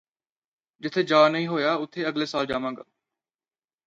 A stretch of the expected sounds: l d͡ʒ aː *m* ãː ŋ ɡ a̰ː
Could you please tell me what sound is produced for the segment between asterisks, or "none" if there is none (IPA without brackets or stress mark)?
m